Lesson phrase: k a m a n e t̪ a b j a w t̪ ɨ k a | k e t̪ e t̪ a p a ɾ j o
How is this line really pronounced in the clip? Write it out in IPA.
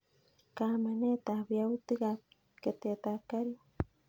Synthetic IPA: k a m a n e t̪ a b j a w t̪ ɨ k a | k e t̪ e t̪ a k a ɾ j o